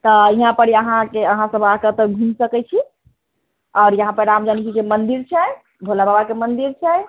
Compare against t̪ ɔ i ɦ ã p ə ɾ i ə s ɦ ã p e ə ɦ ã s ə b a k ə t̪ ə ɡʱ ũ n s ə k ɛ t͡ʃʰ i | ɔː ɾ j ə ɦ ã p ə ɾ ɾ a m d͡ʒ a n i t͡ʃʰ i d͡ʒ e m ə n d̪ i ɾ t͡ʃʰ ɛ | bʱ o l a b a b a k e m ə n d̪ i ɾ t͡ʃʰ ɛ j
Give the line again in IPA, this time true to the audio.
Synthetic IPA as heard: t̪ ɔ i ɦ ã p ə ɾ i ə ɦ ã k e ə ɦ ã s ə b a k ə t̪ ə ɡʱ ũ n s ə k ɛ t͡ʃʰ i | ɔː ɾ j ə ɦ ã p ə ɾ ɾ a m d͡ʒ a n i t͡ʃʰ i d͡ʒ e m ə n d̪ i ɾ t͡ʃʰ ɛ | bʱ o l a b a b a k e m ə n d̪ i ɾ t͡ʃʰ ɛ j